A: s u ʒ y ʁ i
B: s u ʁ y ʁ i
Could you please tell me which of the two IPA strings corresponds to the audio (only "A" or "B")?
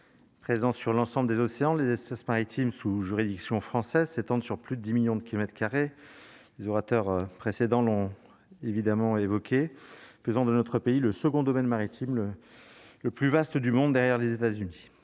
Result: A